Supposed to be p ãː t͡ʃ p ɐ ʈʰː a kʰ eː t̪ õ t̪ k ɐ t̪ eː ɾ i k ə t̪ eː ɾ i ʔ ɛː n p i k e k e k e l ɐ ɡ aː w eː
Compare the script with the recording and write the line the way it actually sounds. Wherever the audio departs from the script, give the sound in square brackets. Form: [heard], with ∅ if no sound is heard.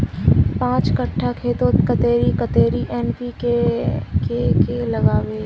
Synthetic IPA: p ãː t͡ʃ [k] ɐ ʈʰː a kʰ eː t̪ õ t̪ k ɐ t̪ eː ɾ i k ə t̪ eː ɾ i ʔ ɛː n p i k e k e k e l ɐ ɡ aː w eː